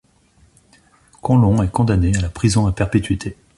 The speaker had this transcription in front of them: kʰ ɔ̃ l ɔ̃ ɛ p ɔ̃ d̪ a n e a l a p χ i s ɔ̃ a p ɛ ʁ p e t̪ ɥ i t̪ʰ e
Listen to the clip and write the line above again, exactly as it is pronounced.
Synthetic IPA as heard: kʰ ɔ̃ l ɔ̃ ɛ k ɔ̃ d̪ a n e a l a p χ i z ɔ̃ a p ɛ ʁ p e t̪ ɥ i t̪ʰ e